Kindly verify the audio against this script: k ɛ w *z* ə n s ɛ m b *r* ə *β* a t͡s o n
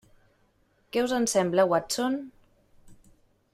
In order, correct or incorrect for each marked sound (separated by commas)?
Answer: correct, incorrect, incorrect